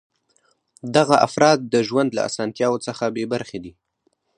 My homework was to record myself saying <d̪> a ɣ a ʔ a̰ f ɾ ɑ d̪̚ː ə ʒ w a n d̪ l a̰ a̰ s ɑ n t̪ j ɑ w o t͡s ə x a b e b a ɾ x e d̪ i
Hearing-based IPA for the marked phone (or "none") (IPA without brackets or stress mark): d̪